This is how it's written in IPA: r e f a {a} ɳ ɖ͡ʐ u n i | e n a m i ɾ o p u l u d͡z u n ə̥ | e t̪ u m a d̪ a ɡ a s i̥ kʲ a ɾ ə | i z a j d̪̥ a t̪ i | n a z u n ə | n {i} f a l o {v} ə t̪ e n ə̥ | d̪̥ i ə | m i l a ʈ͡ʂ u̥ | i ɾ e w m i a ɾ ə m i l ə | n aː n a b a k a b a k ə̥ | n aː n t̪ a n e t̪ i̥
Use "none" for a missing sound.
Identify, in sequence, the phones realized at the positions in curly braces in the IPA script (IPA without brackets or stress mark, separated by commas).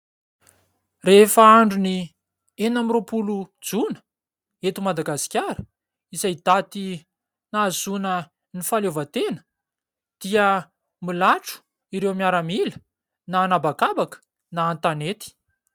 a, i, v